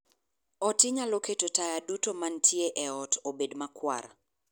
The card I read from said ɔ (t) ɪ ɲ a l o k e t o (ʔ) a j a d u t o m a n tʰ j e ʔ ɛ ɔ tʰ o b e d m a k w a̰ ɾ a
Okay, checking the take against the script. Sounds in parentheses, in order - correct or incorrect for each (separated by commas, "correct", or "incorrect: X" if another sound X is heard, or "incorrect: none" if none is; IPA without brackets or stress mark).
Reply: correct, incorrect: t